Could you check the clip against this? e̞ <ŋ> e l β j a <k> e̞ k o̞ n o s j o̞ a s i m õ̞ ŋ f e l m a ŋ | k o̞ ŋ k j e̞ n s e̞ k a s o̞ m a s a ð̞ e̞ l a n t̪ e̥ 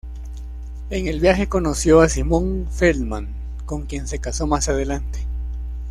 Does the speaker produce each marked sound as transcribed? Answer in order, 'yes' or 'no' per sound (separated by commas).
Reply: yes, no